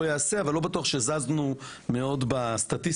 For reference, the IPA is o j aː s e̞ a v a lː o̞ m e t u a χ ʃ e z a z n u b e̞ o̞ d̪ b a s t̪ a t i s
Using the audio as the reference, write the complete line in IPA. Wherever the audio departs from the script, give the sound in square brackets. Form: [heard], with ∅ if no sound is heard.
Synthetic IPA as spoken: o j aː s e̞ a v a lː o̞ [b] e t u a χ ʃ e z a z n u [m] e̞ o̞ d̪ b a s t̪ a t i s